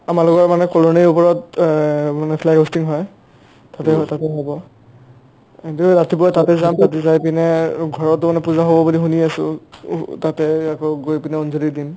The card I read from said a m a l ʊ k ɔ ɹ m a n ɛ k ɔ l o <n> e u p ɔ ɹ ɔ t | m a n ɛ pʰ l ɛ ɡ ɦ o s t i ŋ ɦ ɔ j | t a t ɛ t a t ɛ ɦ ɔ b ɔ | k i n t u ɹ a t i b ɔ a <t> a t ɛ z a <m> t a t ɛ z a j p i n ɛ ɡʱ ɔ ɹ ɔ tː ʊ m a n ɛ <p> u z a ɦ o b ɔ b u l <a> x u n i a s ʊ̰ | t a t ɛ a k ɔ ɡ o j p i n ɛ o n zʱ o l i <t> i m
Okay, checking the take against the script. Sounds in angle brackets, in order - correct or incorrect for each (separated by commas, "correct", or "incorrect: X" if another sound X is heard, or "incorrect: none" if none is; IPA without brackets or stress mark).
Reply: correct, correct, correct, correct, incorrect: i, incorrect: d